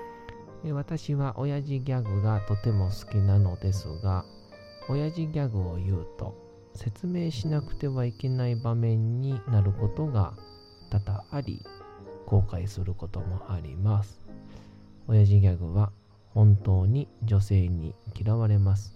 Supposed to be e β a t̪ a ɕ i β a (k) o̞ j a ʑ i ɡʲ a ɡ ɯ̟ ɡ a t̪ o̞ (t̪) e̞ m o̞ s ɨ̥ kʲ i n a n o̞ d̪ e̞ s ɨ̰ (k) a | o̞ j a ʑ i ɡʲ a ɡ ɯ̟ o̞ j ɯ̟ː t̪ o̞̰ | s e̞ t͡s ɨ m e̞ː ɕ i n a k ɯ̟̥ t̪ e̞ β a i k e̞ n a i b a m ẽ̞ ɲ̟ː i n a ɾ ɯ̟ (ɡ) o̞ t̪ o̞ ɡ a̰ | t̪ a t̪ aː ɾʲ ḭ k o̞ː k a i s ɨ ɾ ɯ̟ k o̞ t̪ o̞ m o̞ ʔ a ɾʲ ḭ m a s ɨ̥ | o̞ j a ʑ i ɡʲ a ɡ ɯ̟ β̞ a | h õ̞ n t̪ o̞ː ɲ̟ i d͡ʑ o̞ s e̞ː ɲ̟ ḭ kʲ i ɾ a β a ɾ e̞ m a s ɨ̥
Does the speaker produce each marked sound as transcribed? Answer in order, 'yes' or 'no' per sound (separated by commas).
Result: no, yes, no, no